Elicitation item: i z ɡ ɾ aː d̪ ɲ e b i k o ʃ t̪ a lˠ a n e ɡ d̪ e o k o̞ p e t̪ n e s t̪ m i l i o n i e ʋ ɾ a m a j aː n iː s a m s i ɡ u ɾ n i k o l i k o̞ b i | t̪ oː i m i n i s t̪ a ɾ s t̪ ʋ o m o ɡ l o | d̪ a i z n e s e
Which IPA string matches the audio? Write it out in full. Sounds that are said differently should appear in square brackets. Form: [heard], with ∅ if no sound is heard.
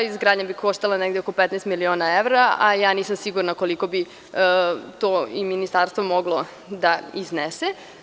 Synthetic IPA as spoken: i z ɡ ɾ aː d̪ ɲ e b i k o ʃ t̪ a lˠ a n e ɡ d̪ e o k o̞ p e t̪ n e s t̪ m i l i o n [a] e ʋ ɾ a [∅] a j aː n iː s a m s i ɡ u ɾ n [a] k o l i k o̞ b i | t̪ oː i m i n i s t̪ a ɾ s t̪ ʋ o m o ɡ l o | d̪ a i z n e s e

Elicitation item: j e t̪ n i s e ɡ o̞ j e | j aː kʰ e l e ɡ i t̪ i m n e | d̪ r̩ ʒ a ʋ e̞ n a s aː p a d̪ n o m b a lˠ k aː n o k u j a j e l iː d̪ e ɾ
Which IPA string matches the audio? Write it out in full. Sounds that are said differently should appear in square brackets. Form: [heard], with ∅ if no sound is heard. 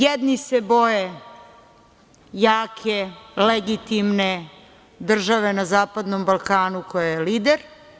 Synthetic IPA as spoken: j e [d̪] n i s e [b] o̞ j e | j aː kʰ e l e ɡ i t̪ i m n e | d̪ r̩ ʒ a ʋ e̞ n a [z] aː p a d̪ n o m b a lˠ k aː n [u] k [o] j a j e l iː d̪ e ɾ

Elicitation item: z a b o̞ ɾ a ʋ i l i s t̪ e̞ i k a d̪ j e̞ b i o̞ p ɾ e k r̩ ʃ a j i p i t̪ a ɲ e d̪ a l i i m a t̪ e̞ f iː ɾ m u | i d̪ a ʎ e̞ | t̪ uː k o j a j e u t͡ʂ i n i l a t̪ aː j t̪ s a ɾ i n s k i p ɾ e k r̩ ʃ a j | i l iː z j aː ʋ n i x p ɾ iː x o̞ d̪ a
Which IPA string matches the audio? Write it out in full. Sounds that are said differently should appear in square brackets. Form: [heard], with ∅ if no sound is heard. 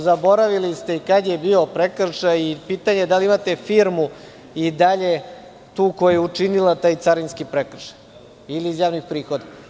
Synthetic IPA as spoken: z a b o̞ ɾ a ʋ i l i s t̪ e̞ i k a d̪ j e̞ b i o̞ p ɾ e k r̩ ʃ a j i p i t̪ a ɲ e d̪ a l i i m a t̪ e̞ f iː ɾ m u | i d̪ a ʎ e̞ | t̪ uː k o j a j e u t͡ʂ i n i l a t̪ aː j t̪ s a ɾ i n s k i p ɾ e k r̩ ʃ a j | i l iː z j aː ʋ n i x p ɾ iː x o̞ d̪ a

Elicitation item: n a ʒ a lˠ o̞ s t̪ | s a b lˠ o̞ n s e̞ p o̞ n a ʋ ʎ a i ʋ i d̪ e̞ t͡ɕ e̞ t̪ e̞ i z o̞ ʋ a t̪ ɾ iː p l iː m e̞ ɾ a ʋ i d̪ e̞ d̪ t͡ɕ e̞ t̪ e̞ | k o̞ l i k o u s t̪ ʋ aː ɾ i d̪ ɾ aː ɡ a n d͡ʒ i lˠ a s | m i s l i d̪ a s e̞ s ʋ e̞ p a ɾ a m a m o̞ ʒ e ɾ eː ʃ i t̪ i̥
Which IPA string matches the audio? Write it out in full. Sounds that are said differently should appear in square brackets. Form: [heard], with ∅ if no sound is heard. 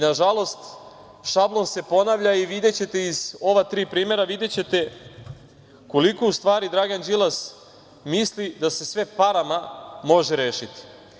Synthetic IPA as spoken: n a ʒ a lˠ o̞ s t̪ | [ʃ] a b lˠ o̞ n s e̞ p o̞ n a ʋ ʎ a i ʋ i d̪ e̞ t͡ɕ e̞ t̪ e̞ i z o̞ ʋ a t̪ ɾ iː p [ɾ] iː m e̞ ɾ a ʋ i d̪ e̞ [∅] t͡ɕ e̞ t̪ e̞ | k o̞ l i k o u s t̪ ʋ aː ɾ i d̪ ɾ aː ɡ a n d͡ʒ i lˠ a s | m i s l i d̪ a s e̞ s ʋ e̞ p a ɾ a m a m o̞ ʒ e ɾ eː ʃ i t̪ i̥

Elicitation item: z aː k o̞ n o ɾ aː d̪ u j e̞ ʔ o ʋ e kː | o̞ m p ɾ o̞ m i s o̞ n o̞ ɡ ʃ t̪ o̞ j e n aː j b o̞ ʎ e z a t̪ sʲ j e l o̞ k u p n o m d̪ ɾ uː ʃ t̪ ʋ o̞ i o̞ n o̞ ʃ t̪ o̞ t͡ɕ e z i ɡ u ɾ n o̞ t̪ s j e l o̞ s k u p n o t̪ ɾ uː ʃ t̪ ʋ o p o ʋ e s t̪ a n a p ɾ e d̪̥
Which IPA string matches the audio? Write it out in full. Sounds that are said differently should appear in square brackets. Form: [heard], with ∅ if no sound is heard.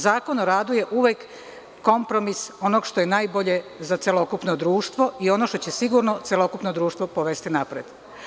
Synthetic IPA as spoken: z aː k o̞ n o ɾ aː d̪ u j e̞ ʔ [u] ʋ e kː | o̞ m p ɾ o̞ m i s o̞ n o̞ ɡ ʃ t̪ o̞ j e n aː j b o̞ ʎ e z a t̪ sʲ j e l o̞ k u p n o [∅] d̪ ɾ uː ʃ t̪ ʋ o̞ i o̞ n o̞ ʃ t̪ o̞ t͡ɕ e [s] i ɡ u ɾ n o̞ t̪ s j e l o̞ [∅] k u p n o [d̪] ɾ uː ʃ t̪ ʋ o p o ʋ e s t̪ [i] n a p ɾ e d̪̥

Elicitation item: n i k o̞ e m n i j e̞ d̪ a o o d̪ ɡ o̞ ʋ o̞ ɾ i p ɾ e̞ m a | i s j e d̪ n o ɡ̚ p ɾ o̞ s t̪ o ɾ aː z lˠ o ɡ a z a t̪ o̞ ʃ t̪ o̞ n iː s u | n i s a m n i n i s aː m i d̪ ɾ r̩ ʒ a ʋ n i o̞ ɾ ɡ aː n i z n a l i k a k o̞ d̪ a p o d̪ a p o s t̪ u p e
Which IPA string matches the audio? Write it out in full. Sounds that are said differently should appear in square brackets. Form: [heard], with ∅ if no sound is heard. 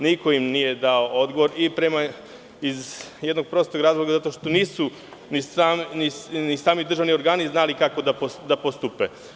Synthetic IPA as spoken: n i k o̞ [i] m n i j e̞ d̪ a o o d̪ ɡ o̞ ʋ o̞ ɾ i p ɾ e̞ m a | i [z] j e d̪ n o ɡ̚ p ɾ o̞ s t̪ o ɾ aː z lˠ o ɡ a z a t̪ o̞ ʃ t̪ o̞ n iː s u | n i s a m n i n i s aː m i d̪ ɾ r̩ ʒ a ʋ n i o̞ ɾ ɡ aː n i z n a l i k a k o̞ d̪ a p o d̪ a p o s t̪ u p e

